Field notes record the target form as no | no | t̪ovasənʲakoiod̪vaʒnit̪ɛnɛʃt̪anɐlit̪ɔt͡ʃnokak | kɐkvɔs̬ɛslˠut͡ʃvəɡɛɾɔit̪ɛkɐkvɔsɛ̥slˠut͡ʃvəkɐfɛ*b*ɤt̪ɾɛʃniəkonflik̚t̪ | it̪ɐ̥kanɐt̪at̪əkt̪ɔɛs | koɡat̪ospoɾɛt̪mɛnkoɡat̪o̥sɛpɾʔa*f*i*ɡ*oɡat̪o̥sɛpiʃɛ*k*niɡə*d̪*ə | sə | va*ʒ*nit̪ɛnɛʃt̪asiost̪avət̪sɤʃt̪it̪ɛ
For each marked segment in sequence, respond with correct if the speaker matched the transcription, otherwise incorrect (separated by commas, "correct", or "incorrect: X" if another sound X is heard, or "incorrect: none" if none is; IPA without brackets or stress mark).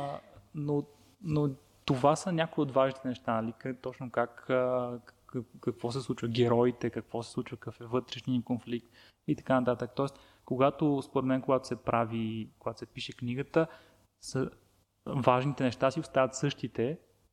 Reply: incorrect: v, incorrect: v, incorrect: k, correct, incorrect: t̪, correct